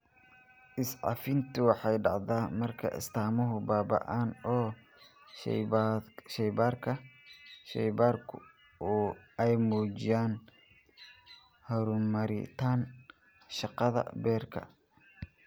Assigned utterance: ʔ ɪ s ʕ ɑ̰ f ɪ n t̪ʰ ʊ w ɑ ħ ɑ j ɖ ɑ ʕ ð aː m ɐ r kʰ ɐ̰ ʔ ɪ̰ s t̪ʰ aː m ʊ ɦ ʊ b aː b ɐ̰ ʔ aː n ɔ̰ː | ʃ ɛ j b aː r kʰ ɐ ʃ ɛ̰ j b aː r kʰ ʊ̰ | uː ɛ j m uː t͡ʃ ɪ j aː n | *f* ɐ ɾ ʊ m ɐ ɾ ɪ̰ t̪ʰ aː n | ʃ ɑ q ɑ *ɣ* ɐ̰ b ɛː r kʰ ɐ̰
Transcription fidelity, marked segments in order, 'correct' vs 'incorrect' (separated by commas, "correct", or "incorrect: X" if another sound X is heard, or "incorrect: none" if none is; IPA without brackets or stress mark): incorrect: h, incorrect: ð